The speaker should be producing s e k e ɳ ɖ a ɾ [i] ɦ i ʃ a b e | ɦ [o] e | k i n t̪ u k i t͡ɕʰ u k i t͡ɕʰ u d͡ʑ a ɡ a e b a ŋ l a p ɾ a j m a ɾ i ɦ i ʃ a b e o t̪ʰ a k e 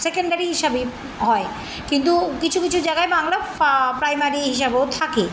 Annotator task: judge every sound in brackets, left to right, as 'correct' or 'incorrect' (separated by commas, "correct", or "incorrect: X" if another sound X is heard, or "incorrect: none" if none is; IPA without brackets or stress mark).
correct, incorrect: ɔ